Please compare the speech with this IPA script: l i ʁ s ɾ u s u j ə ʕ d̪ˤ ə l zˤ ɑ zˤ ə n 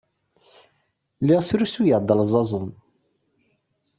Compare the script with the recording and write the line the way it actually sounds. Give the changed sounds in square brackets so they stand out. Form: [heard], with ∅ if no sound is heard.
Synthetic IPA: l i ʁ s ɾ u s u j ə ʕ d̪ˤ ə l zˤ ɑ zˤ ə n